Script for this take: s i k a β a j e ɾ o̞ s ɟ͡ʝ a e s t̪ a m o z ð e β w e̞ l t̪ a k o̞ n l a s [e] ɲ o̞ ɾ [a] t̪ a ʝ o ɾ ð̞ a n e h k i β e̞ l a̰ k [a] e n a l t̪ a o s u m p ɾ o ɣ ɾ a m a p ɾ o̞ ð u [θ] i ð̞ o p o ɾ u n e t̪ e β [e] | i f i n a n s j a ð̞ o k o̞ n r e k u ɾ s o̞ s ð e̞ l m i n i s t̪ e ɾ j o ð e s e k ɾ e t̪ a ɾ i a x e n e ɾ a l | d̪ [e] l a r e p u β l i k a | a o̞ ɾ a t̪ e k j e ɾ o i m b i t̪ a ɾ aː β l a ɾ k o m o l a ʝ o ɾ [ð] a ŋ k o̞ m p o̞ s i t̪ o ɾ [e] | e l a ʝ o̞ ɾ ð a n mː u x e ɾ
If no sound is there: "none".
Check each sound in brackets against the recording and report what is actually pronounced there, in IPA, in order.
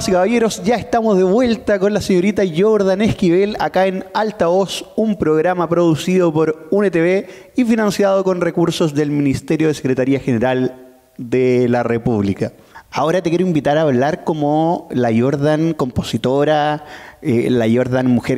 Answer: e, i, a, s, e, e, ð, a

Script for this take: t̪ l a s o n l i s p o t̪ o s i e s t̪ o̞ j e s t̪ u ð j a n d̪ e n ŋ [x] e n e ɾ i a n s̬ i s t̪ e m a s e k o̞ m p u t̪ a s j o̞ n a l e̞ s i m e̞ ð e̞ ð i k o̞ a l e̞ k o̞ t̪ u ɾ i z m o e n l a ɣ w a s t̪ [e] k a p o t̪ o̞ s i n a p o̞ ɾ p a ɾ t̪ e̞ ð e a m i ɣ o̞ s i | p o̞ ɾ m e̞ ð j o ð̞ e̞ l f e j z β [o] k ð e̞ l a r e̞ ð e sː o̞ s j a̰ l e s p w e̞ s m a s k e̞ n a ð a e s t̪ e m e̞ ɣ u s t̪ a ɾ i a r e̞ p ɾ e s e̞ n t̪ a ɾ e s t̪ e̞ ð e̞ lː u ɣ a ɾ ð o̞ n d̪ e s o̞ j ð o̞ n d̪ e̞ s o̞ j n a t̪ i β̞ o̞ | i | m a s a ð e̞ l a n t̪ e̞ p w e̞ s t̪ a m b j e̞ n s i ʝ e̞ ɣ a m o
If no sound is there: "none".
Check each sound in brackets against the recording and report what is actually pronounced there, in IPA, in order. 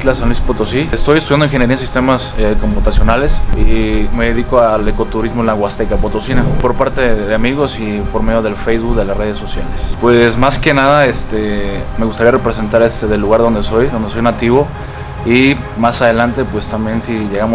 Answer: x, e, u

